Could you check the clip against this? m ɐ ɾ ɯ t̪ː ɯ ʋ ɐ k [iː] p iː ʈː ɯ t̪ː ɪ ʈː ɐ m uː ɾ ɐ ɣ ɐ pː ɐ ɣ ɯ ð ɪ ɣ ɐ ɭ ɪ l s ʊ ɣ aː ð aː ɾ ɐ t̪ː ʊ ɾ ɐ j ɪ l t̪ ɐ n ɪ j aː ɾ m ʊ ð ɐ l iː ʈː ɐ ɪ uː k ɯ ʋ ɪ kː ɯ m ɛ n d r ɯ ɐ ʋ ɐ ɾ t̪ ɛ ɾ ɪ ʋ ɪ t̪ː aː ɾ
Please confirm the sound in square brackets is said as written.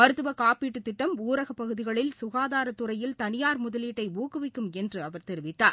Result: no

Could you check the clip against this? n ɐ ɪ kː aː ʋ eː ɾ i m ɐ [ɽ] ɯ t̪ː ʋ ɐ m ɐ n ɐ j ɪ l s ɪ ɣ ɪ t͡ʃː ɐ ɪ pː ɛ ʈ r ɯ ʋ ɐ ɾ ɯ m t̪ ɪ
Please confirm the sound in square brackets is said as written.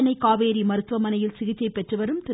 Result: no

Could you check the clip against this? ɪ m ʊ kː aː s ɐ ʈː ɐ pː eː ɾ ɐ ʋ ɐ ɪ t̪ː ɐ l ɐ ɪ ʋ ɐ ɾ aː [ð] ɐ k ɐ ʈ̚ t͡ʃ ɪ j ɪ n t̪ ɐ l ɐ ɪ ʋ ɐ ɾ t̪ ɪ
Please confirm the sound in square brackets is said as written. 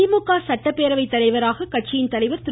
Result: no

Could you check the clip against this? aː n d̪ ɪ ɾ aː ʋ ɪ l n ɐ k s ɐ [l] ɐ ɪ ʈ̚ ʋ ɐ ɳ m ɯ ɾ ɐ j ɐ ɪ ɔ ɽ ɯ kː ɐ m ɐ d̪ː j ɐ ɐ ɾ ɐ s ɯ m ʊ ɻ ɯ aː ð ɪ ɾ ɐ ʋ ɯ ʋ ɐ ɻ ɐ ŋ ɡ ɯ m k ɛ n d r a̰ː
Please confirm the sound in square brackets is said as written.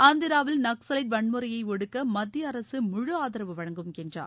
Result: yes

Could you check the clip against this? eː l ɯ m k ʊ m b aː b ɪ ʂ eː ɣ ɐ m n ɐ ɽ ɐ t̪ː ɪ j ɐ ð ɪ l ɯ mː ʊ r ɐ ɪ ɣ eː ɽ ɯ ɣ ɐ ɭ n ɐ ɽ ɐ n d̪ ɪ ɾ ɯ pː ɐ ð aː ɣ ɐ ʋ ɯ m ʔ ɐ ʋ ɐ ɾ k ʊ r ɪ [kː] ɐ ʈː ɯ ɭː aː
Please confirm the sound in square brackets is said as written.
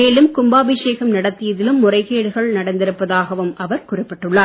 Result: no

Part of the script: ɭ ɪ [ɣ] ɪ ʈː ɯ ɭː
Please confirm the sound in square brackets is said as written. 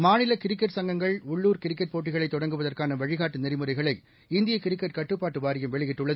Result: yes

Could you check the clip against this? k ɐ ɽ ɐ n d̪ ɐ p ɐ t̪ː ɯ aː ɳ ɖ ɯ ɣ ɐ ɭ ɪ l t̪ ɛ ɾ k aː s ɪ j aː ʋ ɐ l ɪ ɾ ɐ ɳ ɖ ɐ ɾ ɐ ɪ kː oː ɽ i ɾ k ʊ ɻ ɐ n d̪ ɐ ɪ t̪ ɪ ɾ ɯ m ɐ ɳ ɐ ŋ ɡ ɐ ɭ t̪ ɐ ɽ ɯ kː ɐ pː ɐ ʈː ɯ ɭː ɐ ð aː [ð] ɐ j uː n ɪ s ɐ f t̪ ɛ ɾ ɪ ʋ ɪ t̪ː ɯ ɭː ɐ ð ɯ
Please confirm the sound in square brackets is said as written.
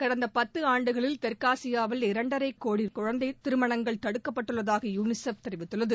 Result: no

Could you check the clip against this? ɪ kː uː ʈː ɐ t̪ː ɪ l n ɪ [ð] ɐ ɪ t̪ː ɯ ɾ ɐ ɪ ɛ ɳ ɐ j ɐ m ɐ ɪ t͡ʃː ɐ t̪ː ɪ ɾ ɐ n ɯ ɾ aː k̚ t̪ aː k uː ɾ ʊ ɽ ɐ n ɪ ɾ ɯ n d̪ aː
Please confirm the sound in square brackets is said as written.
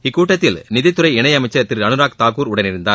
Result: yes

